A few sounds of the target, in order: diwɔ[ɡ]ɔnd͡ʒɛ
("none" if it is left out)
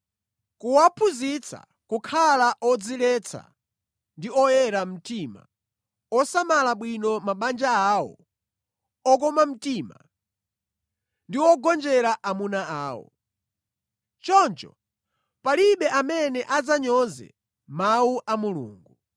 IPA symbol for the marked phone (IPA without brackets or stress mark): ɡ